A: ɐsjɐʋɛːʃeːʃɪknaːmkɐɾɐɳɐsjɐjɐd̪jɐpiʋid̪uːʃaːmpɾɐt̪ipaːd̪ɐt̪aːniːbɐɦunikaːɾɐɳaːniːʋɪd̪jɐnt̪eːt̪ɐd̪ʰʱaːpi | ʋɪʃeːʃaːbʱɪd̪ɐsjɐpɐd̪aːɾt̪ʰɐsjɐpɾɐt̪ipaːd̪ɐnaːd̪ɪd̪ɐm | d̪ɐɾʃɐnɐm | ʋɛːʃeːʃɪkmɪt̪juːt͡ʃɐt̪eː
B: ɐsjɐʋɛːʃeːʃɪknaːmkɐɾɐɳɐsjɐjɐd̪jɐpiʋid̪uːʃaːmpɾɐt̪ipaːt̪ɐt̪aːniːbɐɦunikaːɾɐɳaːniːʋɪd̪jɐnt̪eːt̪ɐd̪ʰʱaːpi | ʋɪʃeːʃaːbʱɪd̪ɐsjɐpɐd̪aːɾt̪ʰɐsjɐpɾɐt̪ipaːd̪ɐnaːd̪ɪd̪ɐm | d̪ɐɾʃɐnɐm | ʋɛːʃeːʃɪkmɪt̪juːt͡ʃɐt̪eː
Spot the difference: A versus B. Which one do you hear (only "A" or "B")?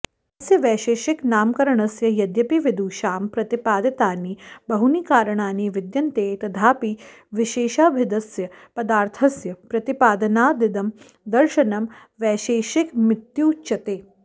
A